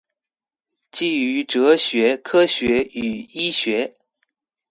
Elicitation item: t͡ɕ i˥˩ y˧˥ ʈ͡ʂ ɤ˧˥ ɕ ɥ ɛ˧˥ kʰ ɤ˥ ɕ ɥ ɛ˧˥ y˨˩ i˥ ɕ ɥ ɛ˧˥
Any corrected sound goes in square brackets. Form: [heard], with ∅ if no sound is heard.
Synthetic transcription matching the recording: t͡ɕ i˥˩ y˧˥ ʈ͡ʂ ɤ˧˥ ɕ ɥ ɛ˧˥ kʰ ɤ˥ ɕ ɥ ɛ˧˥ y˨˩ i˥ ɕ ɥ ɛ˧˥

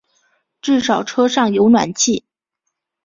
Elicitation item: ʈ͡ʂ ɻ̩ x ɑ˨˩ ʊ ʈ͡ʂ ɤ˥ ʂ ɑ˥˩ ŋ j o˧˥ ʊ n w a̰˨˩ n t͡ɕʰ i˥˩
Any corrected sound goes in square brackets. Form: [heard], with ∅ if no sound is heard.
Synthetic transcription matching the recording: ʈ͡ʂ ɻ̩ [ʂ] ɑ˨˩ ʊ [ʈ͡ʂʰ] ɤ˥ ʂ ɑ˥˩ ŋ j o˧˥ ʊ n w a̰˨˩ n t͡ɕʰ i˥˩

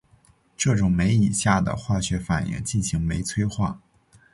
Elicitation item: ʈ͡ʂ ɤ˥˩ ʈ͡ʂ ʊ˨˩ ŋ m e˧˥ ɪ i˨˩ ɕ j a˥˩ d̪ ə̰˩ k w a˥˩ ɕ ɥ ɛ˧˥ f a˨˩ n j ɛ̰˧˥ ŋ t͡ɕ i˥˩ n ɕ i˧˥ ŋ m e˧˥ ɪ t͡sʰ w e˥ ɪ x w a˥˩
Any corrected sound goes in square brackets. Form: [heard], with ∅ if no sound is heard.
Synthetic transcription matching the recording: ʈ͡ʂ ɤ˥˩ ʈ͡ʂ ʊ˨˩ ŋ m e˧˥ ɪ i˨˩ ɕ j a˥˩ d̪ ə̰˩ [x] w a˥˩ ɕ ɥ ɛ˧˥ f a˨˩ n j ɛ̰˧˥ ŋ t͡ɕ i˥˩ n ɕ i˧˥ ŋ m e˧˥ ɪ t͡sʰ w e˥ ɪ x w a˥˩

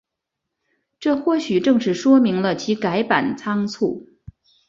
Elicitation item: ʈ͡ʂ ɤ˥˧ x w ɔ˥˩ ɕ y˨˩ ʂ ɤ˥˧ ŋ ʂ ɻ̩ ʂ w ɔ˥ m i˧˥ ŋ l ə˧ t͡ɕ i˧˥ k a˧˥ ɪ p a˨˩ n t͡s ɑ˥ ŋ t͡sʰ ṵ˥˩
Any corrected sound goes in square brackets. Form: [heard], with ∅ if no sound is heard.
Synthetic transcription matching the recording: ʈ͡ʂ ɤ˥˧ x w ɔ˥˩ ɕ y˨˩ [ʈ͡ʂ] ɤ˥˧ ŋ ʂ ɻ̩ ʂ w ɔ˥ m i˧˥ ŋ l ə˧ [t͡ɕʰ] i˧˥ k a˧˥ ɪ p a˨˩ n [t͡sʰ] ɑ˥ ŋ t͡sʰ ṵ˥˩

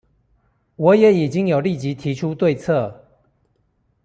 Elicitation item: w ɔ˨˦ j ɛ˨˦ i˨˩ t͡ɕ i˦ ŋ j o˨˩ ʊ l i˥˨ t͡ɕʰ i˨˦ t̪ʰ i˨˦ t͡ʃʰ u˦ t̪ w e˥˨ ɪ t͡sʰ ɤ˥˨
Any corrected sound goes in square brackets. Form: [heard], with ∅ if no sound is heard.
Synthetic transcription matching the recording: w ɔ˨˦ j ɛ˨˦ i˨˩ t͡ɕ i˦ ŋ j o˨˩ ʊ l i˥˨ [t͡ɕ] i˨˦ t̪ʰ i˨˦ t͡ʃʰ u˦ t̪ w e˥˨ ɪ t͡sʰ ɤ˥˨

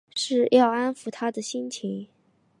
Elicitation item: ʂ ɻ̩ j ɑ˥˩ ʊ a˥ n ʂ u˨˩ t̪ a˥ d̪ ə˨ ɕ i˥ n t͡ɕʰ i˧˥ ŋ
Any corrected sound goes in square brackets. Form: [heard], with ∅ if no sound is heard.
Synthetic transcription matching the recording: ʂ ɻ̩ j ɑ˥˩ ʊ a˥ n [f] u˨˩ [t̪ʰ] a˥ d̪ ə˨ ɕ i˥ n t͡ɕʰ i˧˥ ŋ

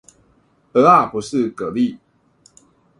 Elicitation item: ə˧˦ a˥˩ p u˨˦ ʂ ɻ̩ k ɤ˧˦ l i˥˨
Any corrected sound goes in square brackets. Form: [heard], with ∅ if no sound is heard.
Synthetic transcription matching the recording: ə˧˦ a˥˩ p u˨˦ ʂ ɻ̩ k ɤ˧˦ l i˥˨

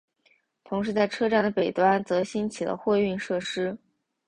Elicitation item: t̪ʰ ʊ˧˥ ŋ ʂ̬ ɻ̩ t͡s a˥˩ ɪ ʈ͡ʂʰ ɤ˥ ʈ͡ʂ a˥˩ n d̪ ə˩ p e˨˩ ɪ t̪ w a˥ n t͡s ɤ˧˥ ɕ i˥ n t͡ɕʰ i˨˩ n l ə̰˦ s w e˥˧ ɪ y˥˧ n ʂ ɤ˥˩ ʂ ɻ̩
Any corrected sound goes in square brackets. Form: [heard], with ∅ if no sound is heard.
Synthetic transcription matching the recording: t̪ʰ ʊ˧˥ ŋ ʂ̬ ɻ̩ t͡s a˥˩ ɪ ʈ͡ʂʰ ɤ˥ ʈ͡ʂ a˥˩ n d̪ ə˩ p e˨˩ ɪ t̪ w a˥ n t͡s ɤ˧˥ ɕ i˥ n t͡ɕʰ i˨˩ [∅] l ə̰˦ [x] w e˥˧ ɪ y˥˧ n ʂ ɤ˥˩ ʂ ɻ̩

